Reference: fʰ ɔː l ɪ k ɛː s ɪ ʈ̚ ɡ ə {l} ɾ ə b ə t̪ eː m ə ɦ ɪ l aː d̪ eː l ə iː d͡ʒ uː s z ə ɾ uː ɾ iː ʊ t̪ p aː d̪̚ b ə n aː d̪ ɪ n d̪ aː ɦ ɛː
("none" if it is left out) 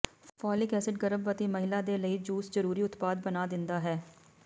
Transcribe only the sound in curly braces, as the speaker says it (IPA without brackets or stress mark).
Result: none